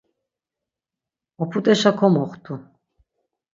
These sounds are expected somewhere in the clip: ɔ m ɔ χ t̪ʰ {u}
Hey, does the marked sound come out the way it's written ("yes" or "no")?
yes